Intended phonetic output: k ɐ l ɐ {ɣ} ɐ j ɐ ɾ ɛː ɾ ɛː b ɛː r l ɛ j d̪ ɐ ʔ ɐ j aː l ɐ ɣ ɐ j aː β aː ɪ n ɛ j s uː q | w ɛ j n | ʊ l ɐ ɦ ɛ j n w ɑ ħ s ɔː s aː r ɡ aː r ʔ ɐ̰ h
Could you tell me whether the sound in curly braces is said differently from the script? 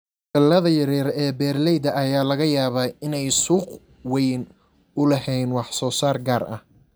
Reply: yes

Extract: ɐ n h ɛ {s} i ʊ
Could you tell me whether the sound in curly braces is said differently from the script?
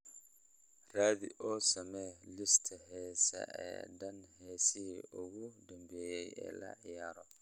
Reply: no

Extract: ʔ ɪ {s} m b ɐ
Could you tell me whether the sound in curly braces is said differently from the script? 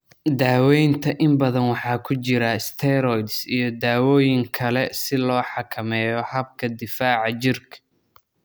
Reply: yes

